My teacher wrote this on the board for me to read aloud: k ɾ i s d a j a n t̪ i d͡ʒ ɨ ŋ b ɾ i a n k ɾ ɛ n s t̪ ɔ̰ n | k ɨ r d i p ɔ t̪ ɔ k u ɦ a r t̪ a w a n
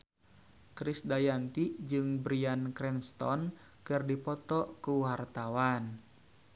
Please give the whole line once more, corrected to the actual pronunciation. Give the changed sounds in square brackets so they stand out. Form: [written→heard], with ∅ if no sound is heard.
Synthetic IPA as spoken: k ɾ i s d a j a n t̪ i d͡ʒ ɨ ŋ b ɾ i a n k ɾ ɛ n s t̪ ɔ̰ n | k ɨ r d i p ɔ t̪ ɔ k u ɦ a r t̪ a w a n